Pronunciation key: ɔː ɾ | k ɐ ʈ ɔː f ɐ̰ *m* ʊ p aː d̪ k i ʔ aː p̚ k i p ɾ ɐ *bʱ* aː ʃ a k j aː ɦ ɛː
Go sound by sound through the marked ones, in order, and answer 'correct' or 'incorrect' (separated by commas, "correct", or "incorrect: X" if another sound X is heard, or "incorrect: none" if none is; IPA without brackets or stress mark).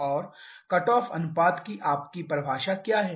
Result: incorrect: n, correct